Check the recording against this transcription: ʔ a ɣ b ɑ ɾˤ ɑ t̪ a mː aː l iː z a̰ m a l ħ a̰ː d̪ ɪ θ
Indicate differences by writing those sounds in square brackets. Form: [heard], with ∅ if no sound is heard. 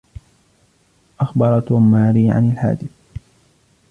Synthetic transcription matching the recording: ʔ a [x] b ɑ ɾˤ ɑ t̪ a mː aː [ɾ] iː [ʕ] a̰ [n] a l ħ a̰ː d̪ ɪ θ